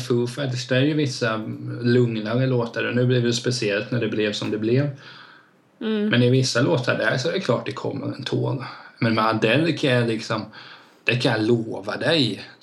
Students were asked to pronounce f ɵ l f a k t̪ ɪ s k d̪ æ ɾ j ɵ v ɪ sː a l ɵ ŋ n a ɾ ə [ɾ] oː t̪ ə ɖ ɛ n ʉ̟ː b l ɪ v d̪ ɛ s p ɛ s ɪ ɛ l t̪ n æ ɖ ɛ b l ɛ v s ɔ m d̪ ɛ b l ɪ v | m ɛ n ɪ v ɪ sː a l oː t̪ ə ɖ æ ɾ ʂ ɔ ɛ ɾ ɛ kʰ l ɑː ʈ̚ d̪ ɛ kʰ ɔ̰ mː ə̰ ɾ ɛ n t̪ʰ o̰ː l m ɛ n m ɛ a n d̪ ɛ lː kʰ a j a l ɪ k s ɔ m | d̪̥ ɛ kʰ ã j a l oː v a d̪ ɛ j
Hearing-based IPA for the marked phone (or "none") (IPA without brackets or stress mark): l